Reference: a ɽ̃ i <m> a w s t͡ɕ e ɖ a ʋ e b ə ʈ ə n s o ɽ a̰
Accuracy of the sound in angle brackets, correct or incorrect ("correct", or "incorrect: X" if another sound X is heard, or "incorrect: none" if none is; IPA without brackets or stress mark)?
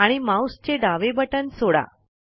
correct